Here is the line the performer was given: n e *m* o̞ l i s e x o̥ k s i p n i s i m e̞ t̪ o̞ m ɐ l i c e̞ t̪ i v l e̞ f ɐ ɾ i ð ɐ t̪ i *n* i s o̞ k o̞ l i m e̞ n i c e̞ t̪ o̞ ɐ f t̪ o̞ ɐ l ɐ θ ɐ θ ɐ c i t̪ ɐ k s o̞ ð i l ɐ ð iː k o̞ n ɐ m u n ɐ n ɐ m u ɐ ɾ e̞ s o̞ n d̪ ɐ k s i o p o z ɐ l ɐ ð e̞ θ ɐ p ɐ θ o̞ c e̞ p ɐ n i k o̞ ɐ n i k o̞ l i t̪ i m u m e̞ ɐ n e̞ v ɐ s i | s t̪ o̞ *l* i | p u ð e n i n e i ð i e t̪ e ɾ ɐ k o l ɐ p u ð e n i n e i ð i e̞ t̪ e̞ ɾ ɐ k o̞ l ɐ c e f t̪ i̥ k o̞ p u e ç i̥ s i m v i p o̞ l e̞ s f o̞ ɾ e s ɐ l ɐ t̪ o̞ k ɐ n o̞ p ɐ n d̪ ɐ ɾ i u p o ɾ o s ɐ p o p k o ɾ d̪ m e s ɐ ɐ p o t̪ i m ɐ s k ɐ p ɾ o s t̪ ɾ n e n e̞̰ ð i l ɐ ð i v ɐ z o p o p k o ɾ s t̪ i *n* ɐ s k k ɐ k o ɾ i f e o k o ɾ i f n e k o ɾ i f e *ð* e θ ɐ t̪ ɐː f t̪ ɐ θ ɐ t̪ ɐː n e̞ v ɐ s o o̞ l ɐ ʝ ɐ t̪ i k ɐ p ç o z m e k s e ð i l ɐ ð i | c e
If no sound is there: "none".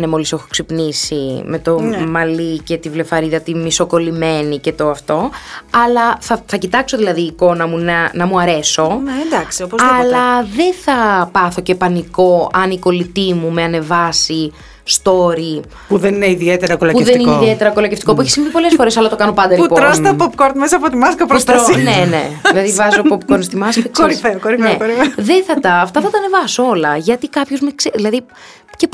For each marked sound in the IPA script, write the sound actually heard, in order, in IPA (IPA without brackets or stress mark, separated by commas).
m, m, ɾ, m, ð